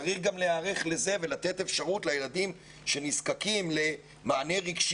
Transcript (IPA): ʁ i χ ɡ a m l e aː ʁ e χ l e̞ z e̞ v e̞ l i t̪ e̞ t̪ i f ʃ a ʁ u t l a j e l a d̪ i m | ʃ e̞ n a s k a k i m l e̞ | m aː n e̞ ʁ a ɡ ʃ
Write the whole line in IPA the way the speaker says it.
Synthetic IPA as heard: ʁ i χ ɡ a m l e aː ʁ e χ l e̞ z e̞ v e̞ l a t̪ e̞ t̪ e f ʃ a ʁ u t l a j e l a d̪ i m | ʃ e̞ n i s k a k i m l e̞ | m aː n e̞ ʁ i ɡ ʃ